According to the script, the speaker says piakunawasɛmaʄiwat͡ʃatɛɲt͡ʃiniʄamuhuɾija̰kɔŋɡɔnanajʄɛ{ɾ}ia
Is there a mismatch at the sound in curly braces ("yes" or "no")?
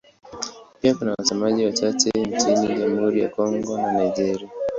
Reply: no